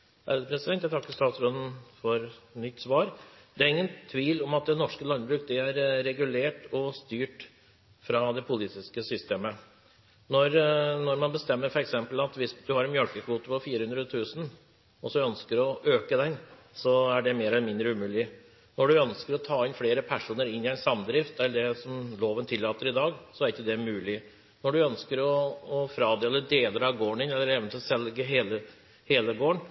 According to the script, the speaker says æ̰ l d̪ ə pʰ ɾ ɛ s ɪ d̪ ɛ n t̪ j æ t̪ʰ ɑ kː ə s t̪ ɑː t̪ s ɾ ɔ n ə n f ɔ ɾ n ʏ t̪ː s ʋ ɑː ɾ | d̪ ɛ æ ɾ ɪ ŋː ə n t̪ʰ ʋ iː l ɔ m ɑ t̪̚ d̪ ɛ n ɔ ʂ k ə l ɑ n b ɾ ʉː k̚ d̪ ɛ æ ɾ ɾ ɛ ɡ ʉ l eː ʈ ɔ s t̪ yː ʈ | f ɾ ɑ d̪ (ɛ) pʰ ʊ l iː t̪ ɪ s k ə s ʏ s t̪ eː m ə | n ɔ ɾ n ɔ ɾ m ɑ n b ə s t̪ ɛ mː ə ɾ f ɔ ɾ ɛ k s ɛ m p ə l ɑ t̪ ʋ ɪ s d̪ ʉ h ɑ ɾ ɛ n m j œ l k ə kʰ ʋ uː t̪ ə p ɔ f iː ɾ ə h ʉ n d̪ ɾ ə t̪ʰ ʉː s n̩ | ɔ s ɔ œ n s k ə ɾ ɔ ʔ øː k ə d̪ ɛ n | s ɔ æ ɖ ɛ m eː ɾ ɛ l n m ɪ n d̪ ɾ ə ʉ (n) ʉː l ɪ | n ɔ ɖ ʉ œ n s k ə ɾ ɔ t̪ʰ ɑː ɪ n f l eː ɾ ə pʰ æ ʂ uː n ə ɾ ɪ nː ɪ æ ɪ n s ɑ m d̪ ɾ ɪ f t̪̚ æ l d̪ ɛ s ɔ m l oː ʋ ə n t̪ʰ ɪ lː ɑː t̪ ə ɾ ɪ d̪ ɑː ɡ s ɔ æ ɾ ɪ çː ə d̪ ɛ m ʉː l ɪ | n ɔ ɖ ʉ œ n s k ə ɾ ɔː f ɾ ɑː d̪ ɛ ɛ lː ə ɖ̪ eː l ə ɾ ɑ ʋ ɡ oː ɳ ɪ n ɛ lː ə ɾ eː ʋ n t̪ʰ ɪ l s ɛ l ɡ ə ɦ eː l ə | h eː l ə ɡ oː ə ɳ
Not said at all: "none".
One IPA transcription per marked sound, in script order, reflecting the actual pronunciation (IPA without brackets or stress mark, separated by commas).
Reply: ɛ, m